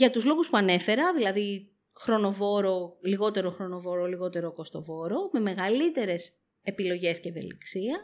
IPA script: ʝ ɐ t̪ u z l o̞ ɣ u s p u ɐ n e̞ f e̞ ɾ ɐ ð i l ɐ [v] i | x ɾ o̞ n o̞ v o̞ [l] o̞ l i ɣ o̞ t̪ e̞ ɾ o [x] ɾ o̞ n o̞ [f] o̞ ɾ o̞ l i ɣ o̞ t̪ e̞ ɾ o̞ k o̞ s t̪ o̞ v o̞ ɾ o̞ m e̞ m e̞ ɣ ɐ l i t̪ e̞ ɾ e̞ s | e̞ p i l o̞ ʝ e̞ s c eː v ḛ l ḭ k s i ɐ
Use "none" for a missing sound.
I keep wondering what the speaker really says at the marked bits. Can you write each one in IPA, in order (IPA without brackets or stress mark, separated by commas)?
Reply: ð, ɾ, x, v